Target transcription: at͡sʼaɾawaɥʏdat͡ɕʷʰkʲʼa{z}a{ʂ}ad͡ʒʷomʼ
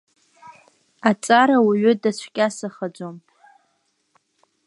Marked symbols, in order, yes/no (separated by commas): no, no